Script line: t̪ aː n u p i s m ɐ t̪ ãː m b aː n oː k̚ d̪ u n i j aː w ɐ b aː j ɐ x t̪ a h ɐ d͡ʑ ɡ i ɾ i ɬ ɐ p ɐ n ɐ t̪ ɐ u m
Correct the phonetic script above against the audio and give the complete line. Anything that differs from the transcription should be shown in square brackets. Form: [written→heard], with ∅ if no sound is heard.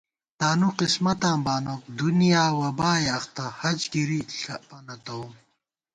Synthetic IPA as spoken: t̪ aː n u [p→q] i s m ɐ t̪ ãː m b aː n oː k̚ d̪ u n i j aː w ɐ b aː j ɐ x t̪ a h ɐ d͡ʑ ɡ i ɾ i ɬ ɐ p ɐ n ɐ t̪ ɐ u m

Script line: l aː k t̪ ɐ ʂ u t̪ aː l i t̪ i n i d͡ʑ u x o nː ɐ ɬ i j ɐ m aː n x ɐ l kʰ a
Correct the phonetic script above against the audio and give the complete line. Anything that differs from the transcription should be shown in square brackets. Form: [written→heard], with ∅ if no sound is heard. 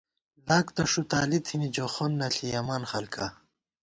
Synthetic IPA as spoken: l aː k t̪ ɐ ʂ u t̪ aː l i [t̪→t̪ʰ] i n i d͡ʑ [u→o] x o nː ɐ ɬ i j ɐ m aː n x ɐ l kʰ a

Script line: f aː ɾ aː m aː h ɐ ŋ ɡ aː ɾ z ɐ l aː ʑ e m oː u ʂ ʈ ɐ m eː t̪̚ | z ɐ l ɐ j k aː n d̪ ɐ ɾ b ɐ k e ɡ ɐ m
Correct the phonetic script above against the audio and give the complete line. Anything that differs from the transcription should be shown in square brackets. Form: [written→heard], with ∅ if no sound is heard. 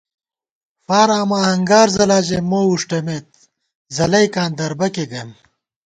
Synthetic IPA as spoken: f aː ɾ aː m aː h ɐ ŋ ɡ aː ɾ z ɐ l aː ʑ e m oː u ʂ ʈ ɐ m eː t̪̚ | z ɐ l ɐ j k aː n d̪ ɐ ɾ b ɐ k e ɡ ɐ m

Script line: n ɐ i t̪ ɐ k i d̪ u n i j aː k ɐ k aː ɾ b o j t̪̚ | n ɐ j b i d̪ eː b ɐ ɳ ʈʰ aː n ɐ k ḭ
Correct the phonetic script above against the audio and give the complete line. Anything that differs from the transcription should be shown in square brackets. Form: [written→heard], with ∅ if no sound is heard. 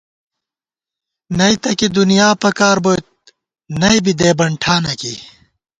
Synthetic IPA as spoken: n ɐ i t̪ ɐ k i d̪ u n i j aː [k→p] ɐ k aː ɾ b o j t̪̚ | n ɐ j b i d̪ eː b ɐ ɳ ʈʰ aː n ɐ k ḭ

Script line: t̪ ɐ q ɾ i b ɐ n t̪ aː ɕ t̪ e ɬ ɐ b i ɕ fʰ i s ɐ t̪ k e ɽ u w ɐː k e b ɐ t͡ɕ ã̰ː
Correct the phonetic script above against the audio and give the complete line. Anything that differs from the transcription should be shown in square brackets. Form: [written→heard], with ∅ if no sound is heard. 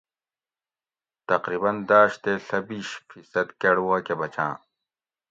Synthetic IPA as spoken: t̪ ɐ q ɾ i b ɐ n [t̪→d̪] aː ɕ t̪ e ɬ ɐ b i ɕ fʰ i s ɐ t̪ k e ɽ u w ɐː k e b ɐ t͡ɕ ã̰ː

